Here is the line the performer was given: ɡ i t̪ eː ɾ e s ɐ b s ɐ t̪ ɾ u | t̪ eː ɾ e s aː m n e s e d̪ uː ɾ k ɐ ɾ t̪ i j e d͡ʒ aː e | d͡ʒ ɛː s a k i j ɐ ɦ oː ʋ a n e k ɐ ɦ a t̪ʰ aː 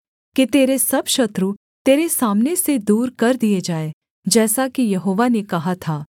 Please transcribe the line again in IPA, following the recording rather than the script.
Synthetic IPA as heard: k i t̪ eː ɾ e s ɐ b ʃ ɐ t̪ ɾ u | t̪ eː ɾ e s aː m n e s e d̪ uː ɾ k ɐ ɾ d̪ i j e d͡ʒ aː e | d͡ʒ ɛː s a k i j ɐ ɦ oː ʋ a n e k ɐ ɦ a t̪ʰ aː